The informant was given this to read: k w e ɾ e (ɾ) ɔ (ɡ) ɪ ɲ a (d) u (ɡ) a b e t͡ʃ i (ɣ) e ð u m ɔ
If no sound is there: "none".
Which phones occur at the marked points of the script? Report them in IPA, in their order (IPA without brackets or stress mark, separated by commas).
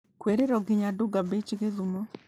ɾ, ɡ, d, ɡ, ɣ